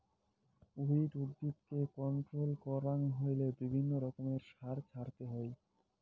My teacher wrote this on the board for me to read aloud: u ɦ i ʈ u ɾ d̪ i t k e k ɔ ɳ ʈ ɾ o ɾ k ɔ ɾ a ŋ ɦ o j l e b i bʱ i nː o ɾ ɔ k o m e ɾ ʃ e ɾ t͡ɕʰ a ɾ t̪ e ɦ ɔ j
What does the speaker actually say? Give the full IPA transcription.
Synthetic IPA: u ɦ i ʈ u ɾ d̪ i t k e k ɔ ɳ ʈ ɾ o l k ɔ ɾ a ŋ ɦ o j l e b i bʱ i nː o ɾ ɔ k o m e ɾ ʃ a ɾ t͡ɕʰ a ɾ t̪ e ɦ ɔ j